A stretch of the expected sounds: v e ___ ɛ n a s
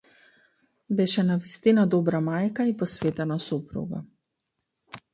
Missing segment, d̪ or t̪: t̪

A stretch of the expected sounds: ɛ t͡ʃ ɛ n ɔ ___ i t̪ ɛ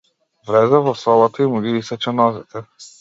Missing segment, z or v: z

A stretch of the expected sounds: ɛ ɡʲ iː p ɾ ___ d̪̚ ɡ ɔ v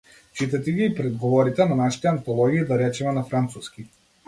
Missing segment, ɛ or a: ɛ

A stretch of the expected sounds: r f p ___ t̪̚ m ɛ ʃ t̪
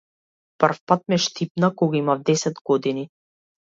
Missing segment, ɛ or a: a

